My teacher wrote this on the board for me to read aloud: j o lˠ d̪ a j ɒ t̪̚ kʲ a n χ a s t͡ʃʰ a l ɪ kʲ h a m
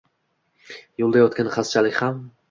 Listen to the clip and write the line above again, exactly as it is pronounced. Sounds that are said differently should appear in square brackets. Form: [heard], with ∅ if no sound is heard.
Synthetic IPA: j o lˠ d̪ a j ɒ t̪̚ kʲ a n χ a s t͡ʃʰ a l ɪ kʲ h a m